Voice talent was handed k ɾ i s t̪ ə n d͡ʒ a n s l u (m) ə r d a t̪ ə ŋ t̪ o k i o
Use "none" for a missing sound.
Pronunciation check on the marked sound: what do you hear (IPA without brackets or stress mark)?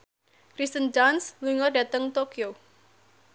ŋ